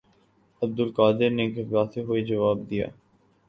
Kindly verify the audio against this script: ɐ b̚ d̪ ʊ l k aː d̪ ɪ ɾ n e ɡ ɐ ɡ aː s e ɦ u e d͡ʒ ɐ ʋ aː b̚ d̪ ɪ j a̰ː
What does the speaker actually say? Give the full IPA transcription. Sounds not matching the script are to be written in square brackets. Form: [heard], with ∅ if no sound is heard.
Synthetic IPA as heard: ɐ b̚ d̪ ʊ l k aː d̪ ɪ ɾ n e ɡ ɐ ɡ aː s e ɦ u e d͡ʒ ɐ ʋ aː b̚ d̪ [i] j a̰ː